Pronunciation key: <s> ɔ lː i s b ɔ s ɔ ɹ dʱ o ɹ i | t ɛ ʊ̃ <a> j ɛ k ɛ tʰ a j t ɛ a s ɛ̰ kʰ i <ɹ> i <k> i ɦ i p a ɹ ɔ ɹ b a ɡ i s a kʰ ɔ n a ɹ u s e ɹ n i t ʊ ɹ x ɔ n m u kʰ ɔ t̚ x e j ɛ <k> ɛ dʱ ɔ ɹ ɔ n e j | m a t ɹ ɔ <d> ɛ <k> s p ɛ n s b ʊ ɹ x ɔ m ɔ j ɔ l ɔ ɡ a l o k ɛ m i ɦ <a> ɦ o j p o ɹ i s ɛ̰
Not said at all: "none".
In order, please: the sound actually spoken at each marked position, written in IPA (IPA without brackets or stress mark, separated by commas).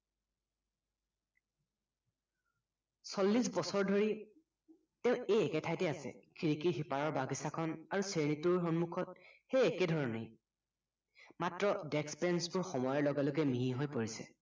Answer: s, e, ɹ, k, k, d, k, i